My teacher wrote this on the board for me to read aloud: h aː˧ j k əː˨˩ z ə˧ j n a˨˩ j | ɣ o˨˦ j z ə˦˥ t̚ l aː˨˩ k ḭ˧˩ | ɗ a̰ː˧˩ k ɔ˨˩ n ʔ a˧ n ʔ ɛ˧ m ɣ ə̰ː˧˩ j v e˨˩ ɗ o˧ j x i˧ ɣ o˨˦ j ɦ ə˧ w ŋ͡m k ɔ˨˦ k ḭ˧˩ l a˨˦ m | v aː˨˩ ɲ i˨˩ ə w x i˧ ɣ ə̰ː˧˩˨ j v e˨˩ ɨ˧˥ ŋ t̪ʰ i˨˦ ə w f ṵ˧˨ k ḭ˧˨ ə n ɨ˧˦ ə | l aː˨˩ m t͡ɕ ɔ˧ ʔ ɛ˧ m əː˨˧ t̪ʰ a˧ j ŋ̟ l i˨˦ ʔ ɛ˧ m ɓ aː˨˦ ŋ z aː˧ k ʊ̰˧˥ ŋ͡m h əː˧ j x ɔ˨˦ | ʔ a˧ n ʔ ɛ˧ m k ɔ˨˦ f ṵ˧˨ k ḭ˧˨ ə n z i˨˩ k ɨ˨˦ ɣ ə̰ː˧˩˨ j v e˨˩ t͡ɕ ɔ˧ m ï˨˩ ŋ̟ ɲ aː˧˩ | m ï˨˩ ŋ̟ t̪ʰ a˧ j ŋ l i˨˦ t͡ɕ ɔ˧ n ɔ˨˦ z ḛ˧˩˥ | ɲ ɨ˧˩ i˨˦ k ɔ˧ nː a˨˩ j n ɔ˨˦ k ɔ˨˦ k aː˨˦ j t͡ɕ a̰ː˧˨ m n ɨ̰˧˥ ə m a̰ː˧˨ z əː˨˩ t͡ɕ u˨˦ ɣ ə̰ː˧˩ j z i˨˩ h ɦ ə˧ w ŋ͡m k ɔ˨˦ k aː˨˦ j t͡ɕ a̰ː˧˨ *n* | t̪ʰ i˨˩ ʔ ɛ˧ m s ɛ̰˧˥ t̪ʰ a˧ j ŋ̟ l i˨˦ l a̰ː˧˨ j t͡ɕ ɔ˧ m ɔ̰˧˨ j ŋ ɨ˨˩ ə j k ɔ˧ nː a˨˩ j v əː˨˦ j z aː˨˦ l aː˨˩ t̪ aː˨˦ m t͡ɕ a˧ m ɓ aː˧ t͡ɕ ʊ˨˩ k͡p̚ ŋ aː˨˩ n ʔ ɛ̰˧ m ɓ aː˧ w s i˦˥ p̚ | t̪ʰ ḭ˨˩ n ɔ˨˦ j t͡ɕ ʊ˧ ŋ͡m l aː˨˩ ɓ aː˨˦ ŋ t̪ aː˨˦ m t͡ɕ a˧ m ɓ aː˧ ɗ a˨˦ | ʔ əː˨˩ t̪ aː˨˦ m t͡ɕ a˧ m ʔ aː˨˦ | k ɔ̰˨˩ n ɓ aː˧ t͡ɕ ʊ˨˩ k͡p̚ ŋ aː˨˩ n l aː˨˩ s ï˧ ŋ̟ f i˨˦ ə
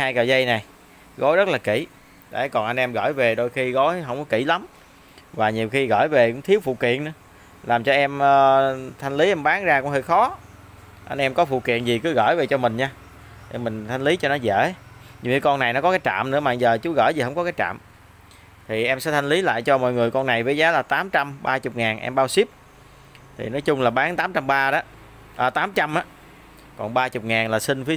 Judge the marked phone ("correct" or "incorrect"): incorrect